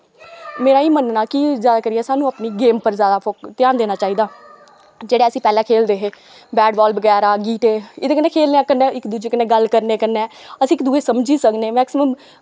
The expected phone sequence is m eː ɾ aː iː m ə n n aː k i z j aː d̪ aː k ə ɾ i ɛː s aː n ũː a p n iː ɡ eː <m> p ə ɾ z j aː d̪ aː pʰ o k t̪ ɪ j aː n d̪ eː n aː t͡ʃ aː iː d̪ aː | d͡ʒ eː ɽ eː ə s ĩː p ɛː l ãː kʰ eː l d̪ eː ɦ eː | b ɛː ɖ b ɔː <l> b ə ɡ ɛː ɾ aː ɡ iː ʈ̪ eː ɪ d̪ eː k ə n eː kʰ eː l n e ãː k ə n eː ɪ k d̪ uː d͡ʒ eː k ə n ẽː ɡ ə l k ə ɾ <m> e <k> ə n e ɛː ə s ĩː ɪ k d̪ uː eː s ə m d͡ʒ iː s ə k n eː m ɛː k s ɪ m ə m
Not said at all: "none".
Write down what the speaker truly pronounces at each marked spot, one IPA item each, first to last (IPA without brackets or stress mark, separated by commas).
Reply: m, l, n, k